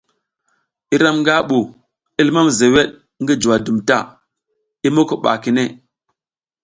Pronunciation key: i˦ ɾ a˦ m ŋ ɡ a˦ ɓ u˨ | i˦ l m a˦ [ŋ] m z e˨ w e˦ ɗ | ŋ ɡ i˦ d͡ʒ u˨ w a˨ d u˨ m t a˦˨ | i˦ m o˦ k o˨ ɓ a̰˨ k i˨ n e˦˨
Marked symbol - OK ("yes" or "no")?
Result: no